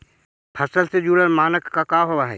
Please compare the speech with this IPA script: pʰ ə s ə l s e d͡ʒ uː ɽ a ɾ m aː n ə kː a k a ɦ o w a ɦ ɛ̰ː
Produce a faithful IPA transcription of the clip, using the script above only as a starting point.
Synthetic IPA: pʰ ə s ə l s e d͡ʒ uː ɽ ə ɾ m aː n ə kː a k a ɦ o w a ɦ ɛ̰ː